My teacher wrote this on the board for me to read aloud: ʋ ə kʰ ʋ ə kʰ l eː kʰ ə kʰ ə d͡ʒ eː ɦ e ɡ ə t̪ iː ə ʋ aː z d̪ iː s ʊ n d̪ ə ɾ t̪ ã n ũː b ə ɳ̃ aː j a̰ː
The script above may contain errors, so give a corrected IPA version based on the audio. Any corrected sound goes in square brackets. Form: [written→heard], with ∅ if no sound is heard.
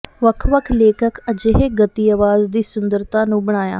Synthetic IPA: ʋ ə kʰ ʋ ə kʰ l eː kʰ ə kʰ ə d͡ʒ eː ɦ e ɡ ə t̪ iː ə ʋ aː z d̪ iː s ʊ n d̪ ə ɾ t̪ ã n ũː b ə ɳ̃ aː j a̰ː

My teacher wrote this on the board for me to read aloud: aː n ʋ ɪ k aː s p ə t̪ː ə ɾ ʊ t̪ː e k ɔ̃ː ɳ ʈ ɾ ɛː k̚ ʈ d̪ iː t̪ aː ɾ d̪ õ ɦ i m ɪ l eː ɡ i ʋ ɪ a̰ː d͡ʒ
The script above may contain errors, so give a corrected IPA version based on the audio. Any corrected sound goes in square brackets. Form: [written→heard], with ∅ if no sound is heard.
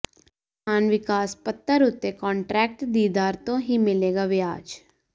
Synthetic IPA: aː n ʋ ɪ k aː s p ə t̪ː ə ɾ ʊ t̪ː e k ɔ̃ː ɳ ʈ ɾ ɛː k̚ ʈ d̪ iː [t̪→d̪] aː ɾ [d̪→t̪] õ ɦ i m ɪ l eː ɡ [i→a] ʋ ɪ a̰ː d͡ʒ

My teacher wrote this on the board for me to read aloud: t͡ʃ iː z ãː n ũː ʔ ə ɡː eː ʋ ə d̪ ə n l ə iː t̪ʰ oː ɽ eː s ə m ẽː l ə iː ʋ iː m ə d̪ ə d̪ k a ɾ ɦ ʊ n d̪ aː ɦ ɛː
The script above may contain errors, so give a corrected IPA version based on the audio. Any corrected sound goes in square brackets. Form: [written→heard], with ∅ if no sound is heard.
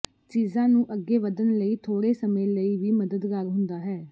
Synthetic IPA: t͡ʃ iː z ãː n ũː ʔ ə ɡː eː ʋ ə d̪ ə n l ə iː t̪ʰ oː ɽ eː s ə m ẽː l ə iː ʋ iː m ə d̪ ə d̪ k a ɾ ɦ ʊ n d̪ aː ɦ ɛː

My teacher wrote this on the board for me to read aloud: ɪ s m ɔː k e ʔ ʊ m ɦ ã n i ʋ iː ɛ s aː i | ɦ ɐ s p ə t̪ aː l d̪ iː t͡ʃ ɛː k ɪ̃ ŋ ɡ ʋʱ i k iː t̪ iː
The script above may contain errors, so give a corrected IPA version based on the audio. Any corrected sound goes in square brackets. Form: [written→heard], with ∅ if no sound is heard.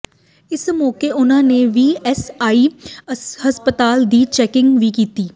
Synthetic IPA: ɪ s m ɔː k e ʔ ʊ [m→n] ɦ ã n [i→e] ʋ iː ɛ s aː i | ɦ ɐ s p ə t̪ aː l d̪ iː t͡ʃ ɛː k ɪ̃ ŋ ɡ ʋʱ i k iː t̪ iː

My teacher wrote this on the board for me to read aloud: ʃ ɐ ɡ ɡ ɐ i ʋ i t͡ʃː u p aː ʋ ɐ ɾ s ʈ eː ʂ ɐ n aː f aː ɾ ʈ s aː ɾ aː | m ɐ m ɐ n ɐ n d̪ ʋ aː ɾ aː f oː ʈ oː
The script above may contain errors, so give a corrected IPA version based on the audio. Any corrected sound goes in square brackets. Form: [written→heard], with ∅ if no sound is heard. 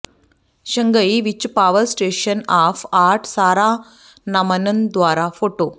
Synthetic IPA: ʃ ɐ [ɡ→ŋ] ɡ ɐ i ʋ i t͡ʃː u p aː ʋ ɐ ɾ s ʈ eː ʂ ɐ n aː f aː ɾ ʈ s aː ɾ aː | [m→n] ɐ m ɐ n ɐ n d̪ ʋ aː ɾ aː f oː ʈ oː

